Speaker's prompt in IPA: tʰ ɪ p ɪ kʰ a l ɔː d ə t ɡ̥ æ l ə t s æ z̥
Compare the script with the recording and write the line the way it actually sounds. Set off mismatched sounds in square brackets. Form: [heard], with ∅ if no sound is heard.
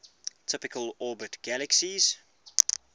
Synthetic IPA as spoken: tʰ ɪ p ɪ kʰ [ə] l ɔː [b] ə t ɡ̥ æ l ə [k] s [i] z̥